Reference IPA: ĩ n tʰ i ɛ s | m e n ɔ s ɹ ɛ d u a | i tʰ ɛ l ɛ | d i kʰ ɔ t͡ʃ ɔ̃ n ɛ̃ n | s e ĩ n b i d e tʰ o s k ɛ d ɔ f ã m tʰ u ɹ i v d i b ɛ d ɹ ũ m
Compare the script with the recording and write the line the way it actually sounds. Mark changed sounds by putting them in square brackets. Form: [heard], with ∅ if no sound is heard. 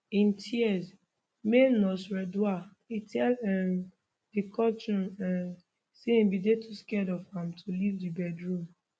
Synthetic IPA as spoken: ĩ n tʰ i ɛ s | m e n ɔ s ɹ ɛ d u a | i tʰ ɛ l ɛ | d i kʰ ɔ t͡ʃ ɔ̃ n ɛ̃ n | s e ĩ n b i d e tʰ [u] s k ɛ d ɔ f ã m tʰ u [l] i v d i b ɛ d ɹ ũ m

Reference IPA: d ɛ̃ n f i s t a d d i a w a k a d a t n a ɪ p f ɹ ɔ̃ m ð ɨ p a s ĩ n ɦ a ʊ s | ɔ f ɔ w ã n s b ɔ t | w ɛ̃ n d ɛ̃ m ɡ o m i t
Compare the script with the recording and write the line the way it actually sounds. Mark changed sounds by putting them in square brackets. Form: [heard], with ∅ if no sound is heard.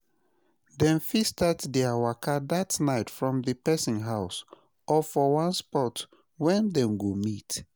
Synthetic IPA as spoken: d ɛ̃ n f i s t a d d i a w a k a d a t n a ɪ [t] f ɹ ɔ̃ m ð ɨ p [ɛ] s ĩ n ɦ a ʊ s | ɔ f ɔ w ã n s [p] ɔ t | w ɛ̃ n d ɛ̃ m ɡ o m i t

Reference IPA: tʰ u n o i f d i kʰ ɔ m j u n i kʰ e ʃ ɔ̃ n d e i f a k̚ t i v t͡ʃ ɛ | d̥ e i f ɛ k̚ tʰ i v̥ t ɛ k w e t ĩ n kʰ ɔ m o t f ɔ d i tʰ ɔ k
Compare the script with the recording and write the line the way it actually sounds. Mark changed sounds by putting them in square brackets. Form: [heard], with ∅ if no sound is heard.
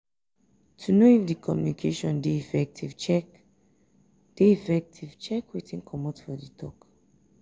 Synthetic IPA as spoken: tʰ u n o i f d i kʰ ɔ m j u n i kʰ e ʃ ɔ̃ n d e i f [ɛ] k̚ t i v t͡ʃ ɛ | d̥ e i f ɛ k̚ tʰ i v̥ [t͡ʃ] ɛ k w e t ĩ n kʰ ɔ m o t f ɔ d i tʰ ɔ k

